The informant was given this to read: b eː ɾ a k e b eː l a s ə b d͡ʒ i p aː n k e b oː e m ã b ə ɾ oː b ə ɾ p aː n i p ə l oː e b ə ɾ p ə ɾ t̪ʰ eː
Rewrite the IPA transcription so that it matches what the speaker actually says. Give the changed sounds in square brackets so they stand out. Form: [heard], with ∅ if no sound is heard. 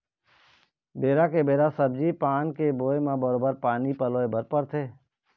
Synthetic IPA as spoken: b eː ɾ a k e b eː [ɾ] a s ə b d͡ʒ i p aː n k e b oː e m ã b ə ɾ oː b ə ɾ p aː n i p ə l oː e b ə ɾ p ə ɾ t̪ʰ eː